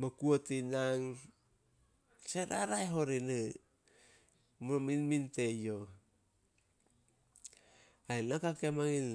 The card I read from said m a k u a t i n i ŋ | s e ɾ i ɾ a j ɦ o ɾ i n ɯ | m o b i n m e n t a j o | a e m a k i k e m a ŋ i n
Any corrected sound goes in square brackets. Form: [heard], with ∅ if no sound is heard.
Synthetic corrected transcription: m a k u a t i n [a] ŋ | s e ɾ [a] ɾ a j ɦ o ɾ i n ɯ | m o [m] i n m [i] n t [e] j o | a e [n] a k [a] k e m a ŋ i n